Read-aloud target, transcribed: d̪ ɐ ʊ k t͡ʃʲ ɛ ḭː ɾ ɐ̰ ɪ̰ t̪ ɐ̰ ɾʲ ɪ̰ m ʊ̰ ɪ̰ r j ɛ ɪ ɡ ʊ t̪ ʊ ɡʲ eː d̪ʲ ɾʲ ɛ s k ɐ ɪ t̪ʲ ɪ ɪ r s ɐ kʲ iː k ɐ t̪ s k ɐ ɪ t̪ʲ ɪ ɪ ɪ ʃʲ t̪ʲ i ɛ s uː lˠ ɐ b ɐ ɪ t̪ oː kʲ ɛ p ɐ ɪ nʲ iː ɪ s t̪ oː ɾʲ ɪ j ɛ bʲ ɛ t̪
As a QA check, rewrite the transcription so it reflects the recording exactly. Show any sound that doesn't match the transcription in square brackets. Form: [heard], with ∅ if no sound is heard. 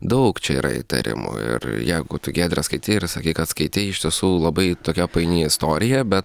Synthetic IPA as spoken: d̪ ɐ ʊ k t͡ʃʲ ɛ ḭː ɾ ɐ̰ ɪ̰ t̪ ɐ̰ ɾʲ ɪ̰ m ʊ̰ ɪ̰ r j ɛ ɪ ɡ ʊ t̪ ʊ ɡʲ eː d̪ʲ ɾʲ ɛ s k ɐ ɪ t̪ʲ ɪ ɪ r s ɐ kʲ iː k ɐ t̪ s k ɐ ɪ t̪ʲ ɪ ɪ ɪ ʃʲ t̪ʲ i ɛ s uː lˠ ɐ b ɐ ɪ t̪ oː kʲ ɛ p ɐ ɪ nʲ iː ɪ s t̪ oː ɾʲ ɪ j ɛ bʲ ɛ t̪